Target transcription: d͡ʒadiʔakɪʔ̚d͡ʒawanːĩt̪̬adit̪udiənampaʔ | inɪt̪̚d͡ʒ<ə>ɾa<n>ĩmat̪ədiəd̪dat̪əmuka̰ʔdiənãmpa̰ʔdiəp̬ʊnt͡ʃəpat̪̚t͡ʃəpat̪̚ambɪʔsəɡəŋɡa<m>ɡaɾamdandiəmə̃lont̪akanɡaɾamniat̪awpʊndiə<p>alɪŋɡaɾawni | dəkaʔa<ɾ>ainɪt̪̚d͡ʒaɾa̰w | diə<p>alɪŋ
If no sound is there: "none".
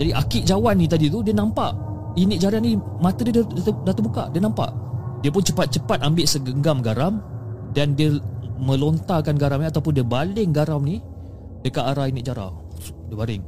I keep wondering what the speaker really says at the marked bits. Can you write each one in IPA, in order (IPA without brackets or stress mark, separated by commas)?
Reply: a, n, m, b, ɾ, b